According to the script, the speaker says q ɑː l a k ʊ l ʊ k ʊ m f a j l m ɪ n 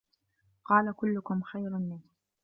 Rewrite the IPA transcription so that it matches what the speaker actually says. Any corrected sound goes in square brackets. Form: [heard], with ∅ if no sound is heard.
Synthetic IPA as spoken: q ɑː l a k ʊ [lː] ʊ k ʊ m [x] a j [ɾ] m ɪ n